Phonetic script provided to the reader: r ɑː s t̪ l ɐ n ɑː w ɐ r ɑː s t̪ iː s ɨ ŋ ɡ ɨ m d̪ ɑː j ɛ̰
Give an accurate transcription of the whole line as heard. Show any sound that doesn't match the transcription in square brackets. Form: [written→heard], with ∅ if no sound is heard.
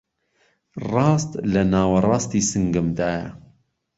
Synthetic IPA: r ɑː s t̪ l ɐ n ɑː w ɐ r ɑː s t̪ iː s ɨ ŋ ɡ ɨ m d̪ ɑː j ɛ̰